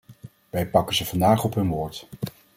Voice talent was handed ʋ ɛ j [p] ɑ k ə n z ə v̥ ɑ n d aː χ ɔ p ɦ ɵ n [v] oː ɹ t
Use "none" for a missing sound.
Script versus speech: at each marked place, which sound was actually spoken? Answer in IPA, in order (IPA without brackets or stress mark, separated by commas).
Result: p, ʋ